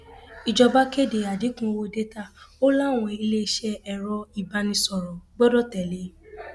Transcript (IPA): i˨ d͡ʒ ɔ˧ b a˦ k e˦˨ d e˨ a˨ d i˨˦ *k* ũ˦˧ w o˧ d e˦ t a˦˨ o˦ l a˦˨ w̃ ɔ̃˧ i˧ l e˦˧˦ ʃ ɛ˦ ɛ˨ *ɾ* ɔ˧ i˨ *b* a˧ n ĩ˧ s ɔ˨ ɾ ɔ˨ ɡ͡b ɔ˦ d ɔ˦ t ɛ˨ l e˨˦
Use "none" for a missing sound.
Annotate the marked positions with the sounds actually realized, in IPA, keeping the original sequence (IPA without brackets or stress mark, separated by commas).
k, ɾ, b